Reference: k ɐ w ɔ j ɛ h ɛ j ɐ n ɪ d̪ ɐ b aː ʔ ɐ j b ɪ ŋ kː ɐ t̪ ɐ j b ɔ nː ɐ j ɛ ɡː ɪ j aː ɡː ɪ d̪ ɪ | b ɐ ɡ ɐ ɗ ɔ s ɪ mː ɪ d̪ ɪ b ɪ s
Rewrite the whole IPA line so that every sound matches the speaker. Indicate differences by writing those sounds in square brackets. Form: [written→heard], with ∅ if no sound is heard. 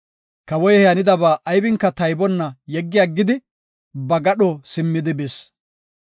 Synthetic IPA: k ɐ w ɔ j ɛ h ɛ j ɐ n ɪ d̪ ɐ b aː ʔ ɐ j b ɪ ŋ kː ɐ t̪ ɐ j b ɔ nː ɐ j ɛ ɡː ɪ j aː ɡː ɪ d̪ ɪ | b ɐ ɡ ɐ ɗ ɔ s ɪ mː ɪ d̪ ɪ b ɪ s